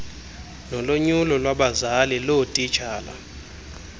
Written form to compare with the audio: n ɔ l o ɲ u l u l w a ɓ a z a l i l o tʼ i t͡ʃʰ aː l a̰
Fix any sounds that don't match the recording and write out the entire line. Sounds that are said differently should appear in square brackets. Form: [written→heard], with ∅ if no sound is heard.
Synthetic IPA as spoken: n ɔ l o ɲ u l [u→ɔ] l w a ɓ a z a l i l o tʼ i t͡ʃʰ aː l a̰